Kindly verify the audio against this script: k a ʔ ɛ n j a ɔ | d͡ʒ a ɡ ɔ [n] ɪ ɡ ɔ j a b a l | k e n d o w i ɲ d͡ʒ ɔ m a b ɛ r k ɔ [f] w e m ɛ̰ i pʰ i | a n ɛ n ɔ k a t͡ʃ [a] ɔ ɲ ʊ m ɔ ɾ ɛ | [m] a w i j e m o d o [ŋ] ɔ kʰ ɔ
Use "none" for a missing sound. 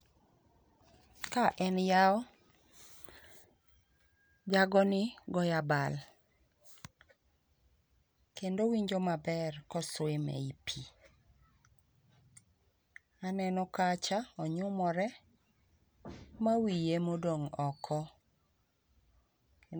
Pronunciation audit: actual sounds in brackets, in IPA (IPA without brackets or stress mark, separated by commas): n, s, a, m, ŋ